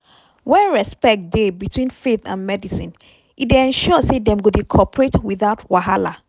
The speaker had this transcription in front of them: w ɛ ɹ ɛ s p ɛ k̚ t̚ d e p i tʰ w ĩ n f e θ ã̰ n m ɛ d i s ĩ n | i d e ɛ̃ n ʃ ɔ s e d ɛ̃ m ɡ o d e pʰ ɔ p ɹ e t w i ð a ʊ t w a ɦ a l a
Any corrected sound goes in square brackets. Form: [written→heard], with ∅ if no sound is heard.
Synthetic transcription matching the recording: w ɛ ɹ ɛ s p ɛ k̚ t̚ d e [p→b] i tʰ w ĩ n f e θ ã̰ n m ɛ d i s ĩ n | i d e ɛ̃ n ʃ ɔ s e d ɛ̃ m ɡ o d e [pʰ→kʰ] ɔ p ɹ e t w i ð a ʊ t w a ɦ a l a